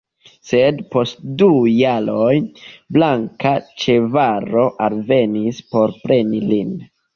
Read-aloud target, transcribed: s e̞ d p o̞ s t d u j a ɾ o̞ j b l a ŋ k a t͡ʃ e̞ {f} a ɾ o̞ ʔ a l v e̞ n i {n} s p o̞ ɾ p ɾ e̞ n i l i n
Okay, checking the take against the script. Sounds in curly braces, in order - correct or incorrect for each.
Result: incorrect, incorrect

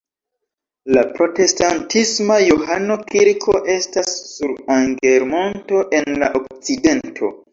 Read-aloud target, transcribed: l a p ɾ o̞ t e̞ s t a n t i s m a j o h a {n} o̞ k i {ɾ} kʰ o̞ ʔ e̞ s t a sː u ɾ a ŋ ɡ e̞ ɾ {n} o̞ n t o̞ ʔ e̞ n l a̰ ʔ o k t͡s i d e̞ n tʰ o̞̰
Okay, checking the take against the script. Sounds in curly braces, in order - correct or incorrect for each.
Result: correct, correct, incorrect

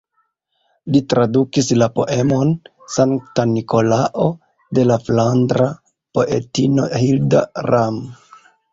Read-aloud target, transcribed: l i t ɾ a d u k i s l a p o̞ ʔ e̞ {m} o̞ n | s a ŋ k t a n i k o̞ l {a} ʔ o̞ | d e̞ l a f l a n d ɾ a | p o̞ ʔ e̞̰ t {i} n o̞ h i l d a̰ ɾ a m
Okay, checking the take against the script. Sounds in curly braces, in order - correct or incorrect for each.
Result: correct, correct, correct

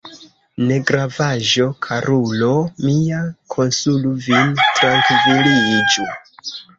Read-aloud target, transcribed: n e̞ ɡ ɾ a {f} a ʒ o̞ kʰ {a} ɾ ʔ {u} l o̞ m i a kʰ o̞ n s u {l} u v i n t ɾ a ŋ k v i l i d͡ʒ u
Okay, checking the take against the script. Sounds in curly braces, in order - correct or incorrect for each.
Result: incorrect, correct, correct, correct

